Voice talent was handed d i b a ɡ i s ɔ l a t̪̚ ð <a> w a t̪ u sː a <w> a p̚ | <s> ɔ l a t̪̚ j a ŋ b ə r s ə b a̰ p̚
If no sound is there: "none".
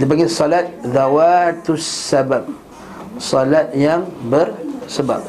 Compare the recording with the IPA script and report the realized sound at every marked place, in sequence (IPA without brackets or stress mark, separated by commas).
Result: a, b, s